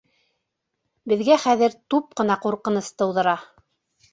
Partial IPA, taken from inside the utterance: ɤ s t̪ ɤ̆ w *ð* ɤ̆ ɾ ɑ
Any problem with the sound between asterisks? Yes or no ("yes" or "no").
no